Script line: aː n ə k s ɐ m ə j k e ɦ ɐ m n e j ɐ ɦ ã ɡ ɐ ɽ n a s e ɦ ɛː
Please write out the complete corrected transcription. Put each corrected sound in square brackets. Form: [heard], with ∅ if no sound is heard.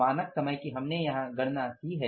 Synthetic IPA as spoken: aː n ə k s ɐ m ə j k [i] ɦ ɐ m n e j ɐ ɦ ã ɡ ɐ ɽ n a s [i] ɦ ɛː